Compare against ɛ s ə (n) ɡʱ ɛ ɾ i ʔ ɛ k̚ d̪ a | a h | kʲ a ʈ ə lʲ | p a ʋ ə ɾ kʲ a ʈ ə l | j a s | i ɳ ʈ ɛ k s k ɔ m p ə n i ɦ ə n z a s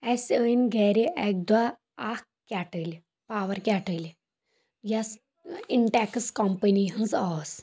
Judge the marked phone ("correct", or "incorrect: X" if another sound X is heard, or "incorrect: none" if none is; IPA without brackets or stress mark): correct